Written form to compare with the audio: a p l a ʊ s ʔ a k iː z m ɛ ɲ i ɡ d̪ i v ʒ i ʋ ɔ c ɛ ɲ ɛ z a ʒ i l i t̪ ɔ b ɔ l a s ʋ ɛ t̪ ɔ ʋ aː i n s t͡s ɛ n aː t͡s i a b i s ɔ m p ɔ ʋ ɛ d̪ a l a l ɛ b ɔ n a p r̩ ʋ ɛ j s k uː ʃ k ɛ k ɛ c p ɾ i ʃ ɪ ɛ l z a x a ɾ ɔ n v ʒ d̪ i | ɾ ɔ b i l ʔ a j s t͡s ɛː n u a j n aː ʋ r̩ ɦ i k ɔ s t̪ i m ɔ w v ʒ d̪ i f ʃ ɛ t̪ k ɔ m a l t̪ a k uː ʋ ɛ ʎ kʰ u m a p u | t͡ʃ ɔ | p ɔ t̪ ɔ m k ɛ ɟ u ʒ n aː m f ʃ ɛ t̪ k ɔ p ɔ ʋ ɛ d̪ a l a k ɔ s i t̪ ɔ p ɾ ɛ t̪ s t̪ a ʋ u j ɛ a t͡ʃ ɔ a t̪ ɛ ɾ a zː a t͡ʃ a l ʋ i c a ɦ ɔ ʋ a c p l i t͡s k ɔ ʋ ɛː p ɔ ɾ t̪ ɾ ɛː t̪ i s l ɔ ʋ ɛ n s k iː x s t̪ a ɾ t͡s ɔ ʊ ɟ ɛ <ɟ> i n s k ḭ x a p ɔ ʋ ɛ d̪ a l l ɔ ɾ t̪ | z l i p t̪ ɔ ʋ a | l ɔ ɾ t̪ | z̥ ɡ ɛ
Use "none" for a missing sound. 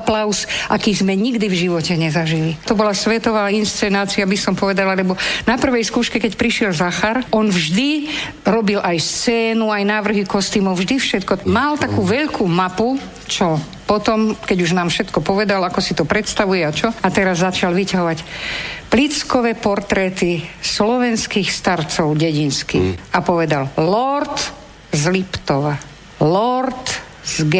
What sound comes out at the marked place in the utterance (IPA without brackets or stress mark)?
ɟ